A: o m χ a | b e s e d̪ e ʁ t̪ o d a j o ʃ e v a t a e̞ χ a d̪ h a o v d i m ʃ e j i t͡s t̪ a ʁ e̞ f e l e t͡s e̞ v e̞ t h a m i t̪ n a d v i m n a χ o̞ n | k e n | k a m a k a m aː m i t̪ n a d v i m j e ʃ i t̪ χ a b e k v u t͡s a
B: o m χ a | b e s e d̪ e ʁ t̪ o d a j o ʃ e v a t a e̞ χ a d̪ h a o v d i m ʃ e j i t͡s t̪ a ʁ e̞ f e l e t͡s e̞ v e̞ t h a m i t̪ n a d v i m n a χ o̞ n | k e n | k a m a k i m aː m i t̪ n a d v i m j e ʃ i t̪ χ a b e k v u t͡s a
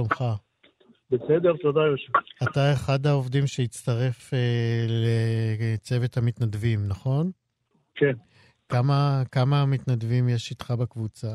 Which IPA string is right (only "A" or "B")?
A